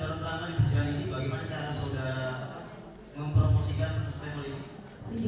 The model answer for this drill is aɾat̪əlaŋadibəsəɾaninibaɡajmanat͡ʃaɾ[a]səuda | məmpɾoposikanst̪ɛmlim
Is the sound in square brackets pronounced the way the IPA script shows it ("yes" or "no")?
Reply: yes